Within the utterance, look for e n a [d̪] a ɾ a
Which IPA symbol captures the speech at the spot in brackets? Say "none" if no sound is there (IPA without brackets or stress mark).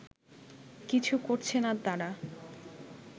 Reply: t̪